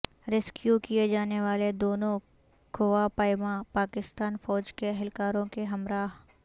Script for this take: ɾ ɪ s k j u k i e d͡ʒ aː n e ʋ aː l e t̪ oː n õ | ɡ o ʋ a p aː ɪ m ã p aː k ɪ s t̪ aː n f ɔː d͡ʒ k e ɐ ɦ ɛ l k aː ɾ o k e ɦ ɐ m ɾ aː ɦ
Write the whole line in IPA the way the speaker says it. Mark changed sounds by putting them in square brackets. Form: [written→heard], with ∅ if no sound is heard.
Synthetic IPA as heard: ɾ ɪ s k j u k i e d͡ʒ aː n e ʋ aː l e [t̪→d̪] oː n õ | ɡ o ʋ a p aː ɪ m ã p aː k ɪ s t̪ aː n f ɔː d͡ʒ k e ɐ ɦ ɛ l k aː ɾ [o→õ] k e ɦ ɐ m ɾ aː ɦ